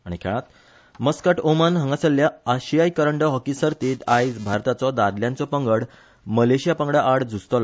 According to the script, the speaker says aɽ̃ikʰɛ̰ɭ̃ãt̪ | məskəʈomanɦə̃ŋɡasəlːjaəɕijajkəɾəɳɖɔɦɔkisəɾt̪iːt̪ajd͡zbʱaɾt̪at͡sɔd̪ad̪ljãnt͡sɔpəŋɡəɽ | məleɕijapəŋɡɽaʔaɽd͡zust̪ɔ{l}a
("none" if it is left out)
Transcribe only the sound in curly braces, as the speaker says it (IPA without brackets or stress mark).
l